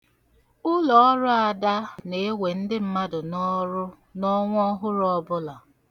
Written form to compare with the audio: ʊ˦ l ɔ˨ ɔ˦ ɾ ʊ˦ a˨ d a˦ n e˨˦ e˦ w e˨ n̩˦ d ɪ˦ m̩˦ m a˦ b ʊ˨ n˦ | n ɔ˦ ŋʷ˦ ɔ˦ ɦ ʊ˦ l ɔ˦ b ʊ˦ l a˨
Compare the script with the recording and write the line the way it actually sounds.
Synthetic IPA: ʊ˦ l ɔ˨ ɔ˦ ɾ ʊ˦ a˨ d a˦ n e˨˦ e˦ w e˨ n̩˦ d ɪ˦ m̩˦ m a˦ d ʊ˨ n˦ | n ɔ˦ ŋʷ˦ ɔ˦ ɦ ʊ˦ ɾ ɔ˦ b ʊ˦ l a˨